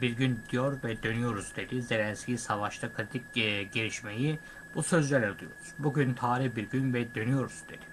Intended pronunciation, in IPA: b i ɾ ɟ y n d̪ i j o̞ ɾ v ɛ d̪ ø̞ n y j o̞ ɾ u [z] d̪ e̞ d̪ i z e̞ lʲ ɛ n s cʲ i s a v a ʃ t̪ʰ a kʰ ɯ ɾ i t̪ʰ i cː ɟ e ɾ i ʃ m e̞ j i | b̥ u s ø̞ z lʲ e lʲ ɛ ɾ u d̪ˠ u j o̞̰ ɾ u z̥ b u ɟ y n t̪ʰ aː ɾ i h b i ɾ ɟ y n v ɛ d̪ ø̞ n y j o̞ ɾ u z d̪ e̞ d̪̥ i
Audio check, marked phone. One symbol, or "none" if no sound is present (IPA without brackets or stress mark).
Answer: z